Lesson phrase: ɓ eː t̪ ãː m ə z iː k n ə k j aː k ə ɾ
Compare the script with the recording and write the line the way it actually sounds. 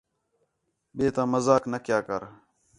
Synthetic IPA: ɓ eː t̪ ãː m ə z aː k n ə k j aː k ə ɾ